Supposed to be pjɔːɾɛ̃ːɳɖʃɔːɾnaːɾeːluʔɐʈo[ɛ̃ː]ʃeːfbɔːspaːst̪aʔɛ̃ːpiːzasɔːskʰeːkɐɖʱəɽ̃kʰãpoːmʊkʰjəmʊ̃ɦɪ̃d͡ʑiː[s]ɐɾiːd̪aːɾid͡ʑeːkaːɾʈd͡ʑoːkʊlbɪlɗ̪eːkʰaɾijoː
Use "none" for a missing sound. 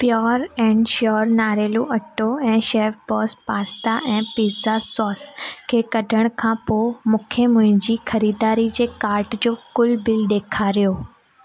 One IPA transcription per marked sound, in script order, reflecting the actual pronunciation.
ɛ̃ː, x

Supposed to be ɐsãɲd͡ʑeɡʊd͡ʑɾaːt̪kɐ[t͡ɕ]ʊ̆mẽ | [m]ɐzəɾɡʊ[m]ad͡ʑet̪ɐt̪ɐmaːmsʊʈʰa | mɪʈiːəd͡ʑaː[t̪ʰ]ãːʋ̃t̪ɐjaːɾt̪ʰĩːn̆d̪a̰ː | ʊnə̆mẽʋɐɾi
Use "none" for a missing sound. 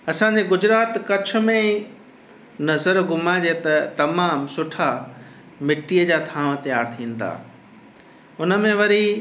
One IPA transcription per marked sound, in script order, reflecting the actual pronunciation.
t͡ɕʰ, n, m, t̪ʰ

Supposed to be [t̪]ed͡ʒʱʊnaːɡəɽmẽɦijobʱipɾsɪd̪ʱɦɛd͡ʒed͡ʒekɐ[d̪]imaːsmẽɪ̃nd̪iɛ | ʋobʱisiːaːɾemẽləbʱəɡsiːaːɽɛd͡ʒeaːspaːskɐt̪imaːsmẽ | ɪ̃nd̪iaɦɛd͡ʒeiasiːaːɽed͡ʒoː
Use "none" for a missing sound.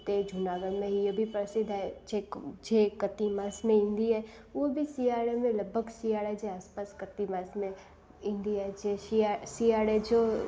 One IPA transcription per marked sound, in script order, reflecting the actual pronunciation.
t̪, t̪

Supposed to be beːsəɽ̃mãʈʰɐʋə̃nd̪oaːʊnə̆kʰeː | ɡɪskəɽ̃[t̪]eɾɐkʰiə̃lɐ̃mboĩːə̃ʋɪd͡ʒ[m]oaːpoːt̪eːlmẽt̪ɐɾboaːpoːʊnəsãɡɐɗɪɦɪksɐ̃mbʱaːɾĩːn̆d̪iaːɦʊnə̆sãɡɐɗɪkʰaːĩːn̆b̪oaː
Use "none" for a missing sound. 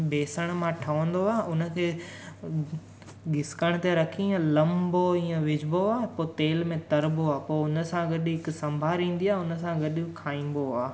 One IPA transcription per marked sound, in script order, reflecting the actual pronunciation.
t̪, b

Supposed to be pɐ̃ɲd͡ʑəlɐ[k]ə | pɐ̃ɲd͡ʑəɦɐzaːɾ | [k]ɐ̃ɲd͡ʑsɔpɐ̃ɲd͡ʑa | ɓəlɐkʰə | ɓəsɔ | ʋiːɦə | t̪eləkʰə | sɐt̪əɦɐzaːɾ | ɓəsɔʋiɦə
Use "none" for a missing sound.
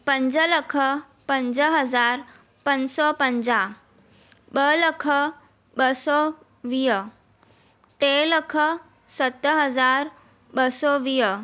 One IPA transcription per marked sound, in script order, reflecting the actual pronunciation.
kʰ, p

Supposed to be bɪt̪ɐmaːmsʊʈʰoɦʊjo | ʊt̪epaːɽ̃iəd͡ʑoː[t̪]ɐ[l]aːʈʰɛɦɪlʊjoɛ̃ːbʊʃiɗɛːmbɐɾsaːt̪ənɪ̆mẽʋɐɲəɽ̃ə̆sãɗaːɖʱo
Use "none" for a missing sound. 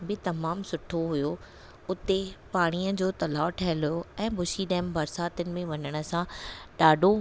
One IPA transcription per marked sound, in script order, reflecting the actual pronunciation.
t̪, l

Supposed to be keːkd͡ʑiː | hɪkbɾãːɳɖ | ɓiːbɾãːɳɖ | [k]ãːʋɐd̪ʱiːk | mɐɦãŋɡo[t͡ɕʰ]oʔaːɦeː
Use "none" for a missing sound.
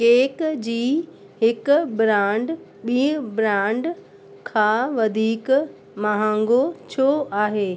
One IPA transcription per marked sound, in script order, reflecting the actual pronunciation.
kʰ, t͡ɕʰ

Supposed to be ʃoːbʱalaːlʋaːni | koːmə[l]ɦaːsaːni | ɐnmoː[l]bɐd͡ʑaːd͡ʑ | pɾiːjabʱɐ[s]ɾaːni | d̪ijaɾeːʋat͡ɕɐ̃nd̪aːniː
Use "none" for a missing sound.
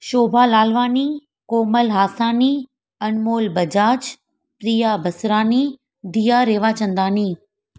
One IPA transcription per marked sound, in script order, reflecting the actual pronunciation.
l, l, s

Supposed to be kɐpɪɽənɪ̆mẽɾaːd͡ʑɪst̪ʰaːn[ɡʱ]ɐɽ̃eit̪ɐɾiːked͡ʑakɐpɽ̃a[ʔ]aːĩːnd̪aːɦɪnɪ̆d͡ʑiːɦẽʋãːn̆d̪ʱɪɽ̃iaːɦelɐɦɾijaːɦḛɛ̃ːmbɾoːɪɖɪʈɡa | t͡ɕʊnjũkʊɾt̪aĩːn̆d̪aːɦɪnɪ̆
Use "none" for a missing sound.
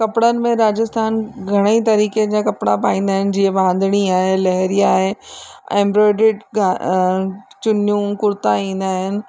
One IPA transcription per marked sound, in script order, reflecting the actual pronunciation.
ɡʱ, p

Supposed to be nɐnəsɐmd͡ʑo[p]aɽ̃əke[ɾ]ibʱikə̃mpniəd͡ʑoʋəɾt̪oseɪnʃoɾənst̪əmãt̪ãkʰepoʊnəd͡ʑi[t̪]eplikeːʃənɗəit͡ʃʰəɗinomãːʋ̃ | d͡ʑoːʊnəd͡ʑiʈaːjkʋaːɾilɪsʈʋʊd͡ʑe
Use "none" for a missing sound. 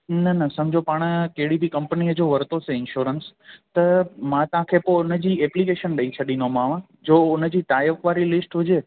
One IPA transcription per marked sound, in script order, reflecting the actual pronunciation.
p, ɽ, none

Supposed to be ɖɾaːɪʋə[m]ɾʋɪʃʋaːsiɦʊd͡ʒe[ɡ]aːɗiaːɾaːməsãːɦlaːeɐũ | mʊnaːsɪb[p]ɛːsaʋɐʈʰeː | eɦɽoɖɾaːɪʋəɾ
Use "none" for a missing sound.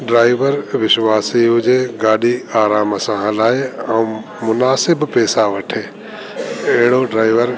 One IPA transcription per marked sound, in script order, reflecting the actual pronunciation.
none, ɡ, p

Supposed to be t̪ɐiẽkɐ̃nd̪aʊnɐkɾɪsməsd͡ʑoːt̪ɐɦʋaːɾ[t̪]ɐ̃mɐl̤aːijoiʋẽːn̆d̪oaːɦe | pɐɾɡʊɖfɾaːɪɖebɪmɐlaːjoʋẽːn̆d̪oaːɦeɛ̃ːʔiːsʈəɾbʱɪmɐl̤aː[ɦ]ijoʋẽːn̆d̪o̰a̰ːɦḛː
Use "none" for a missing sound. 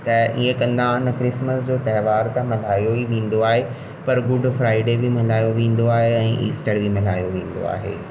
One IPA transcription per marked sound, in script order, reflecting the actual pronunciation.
t̪, none

